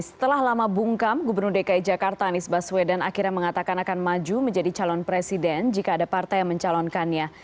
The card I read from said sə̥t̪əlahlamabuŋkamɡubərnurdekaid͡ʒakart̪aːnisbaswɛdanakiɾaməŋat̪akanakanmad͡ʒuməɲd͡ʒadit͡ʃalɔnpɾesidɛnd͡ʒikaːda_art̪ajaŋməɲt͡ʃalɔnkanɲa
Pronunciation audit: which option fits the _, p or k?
p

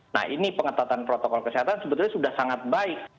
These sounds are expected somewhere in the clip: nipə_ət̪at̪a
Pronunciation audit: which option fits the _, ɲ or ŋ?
ŋ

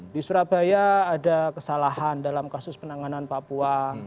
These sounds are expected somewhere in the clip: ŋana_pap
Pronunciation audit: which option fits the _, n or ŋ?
n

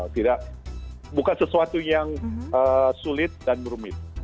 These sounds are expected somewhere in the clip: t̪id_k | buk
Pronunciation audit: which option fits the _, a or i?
a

